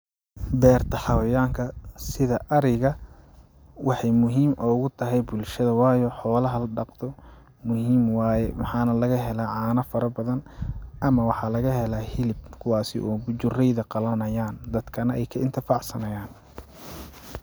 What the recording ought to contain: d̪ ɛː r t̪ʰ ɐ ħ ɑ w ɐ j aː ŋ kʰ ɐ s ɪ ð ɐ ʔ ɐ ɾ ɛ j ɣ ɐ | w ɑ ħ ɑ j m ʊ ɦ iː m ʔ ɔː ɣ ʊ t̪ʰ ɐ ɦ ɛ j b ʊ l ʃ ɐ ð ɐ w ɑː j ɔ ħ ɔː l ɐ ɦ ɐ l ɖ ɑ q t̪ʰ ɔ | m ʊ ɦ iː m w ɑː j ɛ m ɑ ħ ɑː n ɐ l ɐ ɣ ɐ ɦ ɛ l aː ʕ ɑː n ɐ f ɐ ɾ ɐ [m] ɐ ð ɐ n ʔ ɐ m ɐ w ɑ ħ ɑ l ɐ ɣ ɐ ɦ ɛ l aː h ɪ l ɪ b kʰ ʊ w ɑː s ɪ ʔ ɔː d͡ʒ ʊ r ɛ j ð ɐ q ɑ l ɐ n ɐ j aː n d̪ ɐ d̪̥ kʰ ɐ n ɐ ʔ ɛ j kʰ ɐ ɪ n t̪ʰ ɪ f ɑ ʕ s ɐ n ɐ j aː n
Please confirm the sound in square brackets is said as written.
no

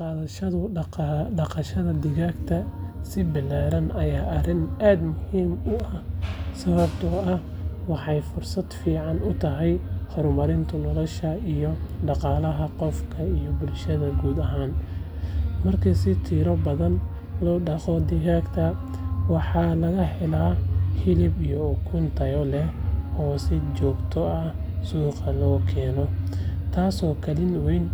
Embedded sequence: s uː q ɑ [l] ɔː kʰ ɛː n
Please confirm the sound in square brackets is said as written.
yes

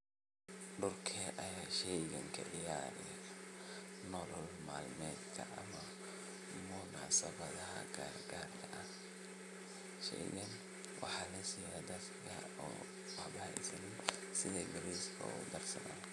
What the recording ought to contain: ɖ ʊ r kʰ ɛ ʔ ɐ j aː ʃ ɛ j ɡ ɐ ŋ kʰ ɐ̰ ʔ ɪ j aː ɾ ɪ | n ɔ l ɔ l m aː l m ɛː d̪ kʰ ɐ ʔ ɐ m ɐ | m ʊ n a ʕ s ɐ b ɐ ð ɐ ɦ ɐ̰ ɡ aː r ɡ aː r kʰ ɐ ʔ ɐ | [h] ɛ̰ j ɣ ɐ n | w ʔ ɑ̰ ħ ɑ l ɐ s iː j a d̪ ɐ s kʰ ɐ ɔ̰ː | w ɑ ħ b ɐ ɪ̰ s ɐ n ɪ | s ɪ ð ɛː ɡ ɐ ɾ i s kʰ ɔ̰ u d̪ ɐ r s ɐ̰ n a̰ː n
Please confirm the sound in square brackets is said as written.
no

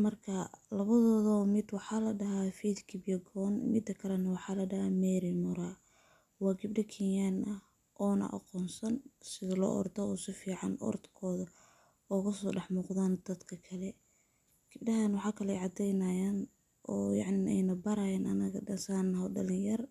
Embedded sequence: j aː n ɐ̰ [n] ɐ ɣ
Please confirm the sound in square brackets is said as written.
yes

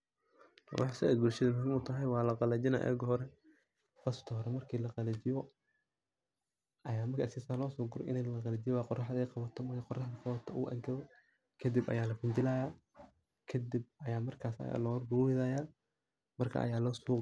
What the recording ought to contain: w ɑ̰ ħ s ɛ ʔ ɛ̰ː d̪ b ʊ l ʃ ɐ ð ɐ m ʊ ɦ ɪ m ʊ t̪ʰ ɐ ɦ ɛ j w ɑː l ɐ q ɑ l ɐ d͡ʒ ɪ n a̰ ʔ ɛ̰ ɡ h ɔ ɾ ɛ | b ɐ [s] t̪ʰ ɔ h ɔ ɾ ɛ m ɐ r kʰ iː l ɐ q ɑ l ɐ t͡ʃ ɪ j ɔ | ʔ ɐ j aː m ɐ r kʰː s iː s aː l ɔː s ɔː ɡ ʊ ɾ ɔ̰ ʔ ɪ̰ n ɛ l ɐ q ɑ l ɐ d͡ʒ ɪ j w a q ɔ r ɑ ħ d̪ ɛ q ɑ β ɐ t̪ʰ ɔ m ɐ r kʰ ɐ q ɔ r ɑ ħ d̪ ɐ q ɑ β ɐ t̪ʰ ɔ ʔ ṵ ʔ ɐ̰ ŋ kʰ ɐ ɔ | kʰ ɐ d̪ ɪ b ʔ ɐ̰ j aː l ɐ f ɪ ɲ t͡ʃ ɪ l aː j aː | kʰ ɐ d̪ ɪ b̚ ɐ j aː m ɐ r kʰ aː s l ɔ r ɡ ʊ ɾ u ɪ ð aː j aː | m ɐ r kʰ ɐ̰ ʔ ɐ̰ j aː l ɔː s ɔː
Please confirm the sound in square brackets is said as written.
yes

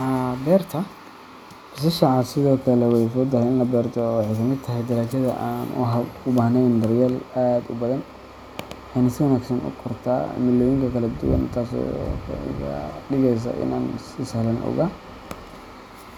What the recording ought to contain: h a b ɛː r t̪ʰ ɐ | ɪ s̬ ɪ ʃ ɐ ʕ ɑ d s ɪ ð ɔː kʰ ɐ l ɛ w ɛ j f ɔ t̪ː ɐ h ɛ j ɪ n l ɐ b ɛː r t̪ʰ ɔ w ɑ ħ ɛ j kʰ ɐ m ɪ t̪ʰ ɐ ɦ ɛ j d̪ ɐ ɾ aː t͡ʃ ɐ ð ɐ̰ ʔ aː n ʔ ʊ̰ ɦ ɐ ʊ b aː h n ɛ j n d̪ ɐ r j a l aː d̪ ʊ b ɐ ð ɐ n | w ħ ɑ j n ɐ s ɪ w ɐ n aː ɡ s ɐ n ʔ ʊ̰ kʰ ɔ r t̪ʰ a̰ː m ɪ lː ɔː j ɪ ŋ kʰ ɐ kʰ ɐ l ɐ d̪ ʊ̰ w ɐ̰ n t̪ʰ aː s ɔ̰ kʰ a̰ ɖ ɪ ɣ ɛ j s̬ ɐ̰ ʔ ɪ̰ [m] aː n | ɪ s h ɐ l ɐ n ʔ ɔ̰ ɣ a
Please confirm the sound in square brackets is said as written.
no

